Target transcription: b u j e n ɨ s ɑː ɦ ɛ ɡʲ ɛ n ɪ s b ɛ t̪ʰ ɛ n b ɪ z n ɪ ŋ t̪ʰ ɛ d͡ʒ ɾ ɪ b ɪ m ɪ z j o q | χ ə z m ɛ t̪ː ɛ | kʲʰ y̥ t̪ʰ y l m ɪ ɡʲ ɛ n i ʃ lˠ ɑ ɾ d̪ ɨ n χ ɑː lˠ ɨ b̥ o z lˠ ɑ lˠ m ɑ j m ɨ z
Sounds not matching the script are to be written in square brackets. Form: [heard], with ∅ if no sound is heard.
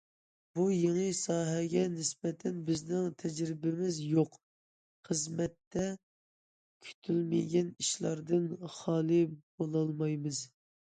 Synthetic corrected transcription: b u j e [ŋ] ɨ s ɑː ɦ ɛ ɡʲ ɛ n ɪ s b ɛ t̪ʰ ɛ n b ɪ z n ɪ ŋ t̪ʰ ɛ d͡ʒ ɾ ɪ b ɪ m ɪ z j o q | χ ə z m ɛ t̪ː ɛ | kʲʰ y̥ t̪ʰ y l m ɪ ɡʲ ɛ n i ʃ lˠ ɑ ɾ d̪ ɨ n χ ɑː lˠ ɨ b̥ o [∅] lˠ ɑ lˠ m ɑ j m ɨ z